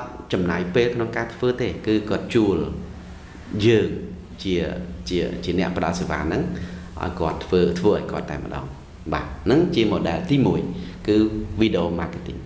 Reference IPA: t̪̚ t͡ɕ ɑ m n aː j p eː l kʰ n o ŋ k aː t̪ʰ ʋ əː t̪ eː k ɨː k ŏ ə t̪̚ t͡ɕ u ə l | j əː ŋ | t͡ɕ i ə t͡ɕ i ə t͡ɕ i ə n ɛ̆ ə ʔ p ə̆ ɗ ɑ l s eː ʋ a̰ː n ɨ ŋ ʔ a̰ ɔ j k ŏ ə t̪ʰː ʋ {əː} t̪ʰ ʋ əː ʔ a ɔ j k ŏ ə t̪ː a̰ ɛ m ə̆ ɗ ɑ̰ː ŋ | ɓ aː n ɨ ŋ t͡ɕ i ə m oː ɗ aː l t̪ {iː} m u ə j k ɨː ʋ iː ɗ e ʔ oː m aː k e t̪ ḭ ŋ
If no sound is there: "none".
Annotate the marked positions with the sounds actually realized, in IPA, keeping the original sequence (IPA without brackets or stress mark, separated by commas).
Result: əː, iː